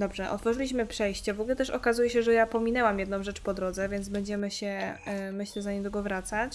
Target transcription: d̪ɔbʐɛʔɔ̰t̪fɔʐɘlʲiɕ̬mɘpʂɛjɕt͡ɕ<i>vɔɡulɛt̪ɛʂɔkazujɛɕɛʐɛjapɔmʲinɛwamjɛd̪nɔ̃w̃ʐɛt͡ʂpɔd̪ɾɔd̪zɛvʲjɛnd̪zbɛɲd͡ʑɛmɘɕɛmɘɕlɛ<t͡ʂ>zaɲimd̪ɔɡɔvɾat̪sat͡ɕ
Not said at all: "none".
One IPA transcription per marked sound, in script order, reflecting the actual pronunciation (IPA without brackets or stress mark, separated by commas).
ɛ, none